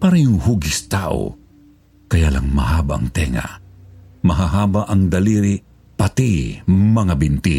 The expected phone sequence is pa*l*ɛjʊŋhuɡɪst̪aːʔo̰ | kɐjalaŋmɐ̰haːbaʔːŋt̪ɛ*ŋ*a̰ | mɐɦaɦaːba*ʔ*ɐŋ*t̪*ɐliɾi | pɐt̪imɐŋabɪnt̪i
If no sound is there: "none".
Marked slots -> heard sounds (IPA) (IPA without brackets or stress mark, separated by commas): ɾ, ŋ, ʔ, d̪